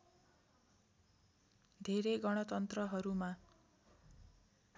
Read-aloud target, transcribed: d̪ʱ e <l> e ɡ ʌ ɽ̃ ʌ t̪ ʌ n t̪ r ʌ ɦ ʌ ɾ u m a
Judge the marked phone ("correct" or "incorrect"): incorrect